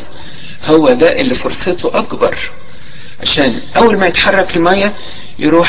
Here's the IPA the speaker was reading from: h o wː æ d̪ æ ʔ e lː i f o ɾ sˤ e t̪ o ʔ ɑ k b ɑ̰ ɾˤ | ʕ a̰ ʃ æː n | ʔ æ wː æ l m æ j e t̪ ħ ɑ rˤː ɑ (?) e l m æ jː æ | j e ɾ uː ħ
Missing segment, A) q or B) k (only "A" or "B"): B